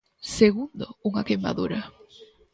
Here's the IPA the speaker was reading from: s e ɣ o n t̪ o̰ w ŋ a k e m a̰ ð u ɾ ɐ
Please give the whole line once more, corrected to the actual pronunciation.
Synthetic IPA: s e ɣ u n d̪ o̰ u ŋ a k e m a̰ ð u ɾ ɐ